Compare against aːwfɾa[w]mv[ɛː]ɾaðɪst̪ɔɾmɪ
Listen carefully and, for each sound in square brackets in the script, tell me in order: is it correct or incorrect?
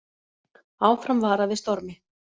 incorrect: none, incorrect: aː

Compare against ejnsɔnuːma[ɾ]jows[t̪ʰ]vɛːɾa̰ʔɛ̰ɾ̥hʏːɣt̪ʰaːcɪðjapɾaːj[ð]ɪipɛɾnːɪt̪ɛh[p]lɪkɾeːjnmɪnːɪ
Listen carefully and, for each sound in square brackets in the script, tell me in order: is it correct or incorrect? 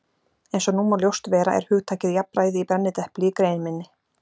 incorrect: l, incorrect: t̪, correct, correct

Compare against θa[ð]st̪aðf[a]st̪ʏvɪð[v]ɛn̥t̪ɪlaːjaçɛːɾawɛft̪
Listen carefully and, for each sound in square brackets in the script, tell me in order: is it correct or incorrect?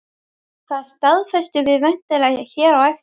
correct, incorrect: ɛ, correct

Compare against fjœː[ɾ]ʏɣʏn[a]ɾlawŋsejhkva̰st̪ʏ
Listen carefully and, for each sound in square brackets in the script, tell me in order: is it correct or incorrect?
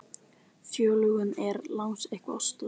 incorrect: l, incorrect: ɛ

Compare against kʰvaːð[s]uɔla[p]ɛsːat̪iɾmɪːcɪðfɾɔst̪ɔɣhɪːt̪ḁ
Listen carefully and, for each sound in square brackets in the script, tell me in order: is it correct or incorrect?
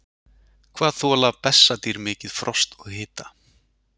incorrect: θ, correct

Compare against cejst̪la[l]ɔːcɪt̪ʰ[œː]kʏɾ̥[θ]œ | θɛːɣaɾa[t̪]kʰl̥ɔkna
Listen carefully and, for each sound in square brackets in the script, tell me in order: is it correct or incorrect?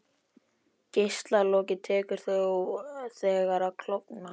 correct, incorrect: ɛː, correct, incorrect: none

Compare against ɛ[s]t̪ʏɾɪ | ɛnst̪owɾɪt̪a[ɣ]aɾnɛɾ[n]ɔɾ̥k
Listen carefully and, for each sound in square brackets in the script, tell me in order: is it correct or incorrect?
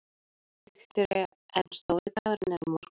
incorrect: x, correct, incorrect: m

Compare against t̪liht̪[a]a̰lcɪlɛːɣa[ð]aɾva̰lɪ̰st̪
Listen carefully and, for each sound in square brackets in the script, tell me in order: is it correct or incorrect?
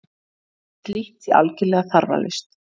incorrect: i, incorrect: θ

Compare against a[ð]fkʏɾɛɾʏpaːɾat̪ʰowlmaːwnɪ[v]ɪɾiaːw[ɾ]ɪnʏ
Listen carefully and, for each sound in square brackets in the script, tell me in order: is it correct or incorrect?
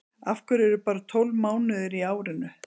incorrect: none, incorrect: ð, correct

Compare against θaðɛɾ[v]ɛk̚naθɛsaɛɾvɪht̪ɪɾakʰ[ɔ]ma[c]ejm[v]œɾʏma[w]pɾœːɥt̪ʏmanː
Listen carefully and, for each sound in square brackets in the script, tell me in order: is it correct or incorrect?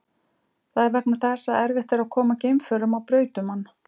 correct, incorrect: ɔː, correct, incorrect: f, correct

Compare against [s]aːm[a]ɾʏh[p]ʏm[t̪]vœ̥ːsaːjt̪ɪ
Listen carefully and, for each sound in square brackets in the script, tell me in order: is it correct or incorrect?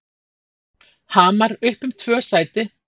incorrect: h, correct, correct, incorrect: t̪ʰ

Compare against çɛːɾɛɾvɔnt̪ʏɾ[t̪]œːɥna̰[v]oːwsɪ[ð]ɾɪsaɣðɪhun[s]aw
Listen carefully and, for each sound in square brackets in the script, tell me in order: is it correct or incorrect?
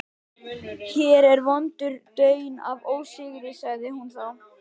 correct, correct, incorrect: ɣ, incorrect: θ

